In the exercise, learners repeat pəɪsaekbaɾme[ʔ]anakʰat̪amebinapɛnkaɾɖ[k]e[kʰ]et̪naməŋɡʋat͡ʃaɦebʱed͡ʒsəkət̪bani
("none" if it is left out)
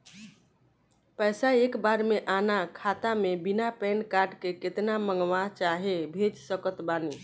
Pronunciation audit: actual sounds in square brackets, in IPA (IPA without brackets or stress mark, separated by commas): ʔ, k, k